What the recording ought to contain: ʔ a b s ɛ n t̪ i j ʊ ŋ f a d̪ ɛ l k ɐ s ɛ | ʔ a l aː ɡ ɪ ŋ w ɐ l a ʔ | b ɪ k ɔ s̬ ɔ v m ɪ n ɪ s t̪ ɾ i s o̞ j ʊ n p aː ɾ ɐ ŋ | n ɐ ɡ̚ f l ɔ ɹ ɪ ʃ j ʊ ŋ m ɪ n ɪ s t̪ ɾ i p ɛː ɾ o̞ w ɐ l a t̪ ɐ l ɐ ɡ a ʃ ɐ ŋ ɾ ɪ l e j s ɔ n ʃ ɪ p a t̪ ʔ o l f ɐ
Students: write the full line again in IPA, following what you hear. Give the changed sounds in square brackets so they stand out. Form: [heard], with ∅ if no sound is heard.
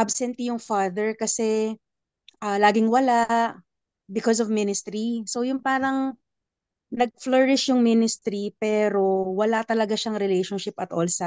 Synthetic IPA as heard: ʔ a b s ɛ n t̪ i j ʊ ŋ f a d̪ ɛ [ɹ] k ɐ s ɛ | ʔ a l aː ɡ ɪ ŋ w ɐ l a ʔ | b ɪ k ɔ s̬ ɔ v m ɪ n ɪ s t̪ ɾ i s o̞ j ʊ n p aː ɾ ɐ ŋ | n ɐ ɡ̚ f l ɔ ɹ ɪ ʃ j ʊ ŋ m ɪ n ɪ s t̪ ɾ i p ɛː ɾ o̞ w ɐ l a t̪ ɐ l ɐ ɡ a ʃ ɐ ŋ ɾ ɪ l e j [ʃ] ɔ n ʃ ɪ p [ɐ] t̪ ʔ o l [s] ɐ